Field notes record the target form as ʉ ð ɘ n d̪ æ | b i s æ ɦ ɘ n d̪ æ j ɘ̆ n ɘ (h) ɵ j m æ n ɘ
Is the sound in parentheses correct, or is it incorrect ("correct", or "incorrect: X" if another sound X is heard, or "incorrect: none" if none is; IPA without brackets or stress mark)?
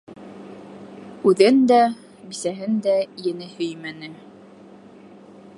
correct